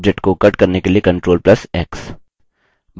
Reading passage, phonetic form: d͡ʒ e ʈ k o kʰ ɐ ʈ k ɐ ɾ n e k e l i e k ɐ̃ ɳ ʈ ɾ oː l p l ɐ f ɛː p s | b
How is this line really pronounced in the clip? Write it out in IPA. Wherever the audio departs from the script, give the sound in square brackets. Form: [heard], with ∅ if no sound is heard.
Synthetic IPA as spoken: d͡ʒ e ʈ k o [k] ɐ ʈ k ɐ ɾ n e k e l i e k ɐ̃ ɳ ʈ ɾ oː l p l ɐ [s] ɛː [k] s | b